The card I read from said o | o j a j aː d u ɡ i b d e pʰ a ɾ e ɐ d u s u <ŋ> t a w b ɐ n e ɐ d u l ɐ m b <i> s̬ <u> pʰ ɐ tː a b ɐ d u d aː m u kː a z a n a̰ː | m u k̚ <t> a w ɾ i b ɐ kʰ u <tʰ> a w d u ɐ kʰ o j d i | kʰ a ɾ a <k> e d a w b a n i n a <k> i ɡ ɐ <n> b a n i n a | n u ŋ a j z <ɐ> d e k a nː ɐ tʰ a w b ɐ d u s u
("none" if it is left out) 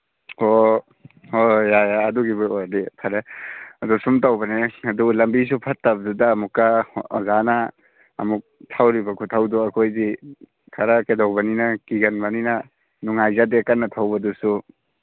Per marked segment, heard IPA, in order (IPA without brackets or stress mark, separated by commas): m, i, u, tʰ, tʰ, k, k, n, a